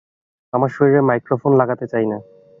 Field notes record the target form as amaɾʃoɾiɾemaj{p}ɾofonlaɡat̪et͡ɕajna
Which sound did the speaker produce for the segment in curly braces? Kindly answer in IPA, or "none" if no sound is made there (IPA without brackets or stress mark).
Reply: k